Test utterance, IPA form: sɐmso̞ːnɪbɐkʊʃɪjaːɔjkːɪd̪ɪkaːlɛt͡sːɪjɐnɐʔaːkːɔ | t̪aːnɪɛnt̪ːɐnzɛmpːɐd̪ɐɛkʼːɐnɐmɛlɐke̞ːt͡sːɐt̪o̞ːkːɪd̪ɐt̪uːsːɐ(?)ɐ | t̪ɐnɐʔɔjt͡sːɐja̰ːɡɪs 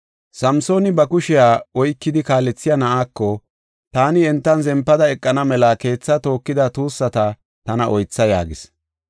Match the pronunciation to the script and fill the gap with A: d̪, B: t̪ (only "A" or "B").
B